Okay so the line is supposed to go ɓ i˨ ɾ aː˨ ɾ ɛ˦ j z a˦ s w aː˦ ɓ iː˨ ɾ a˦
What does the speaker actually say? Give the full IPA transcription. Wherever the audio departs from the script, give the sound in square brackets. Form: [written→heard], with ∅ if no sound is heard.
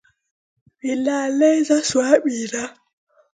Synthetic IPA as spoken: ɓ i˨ [ɾ→l] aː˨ [ɾ→l] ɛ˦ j z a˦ s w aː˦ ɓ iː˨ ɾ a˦